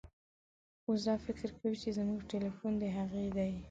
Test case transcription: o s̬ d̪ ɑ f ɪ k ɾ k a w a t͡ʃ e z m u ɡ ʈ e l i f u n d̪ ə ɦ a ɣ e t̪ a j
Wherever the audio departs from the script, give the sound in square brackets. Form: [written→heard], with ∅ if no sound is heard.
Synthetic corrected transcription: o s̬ d̪ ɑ f ɪ k ɾ k a w [a→i] t͡ʃ e z m u ɡ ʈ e l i f u n d̪ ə ɦ a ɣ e [t̪→d̪] a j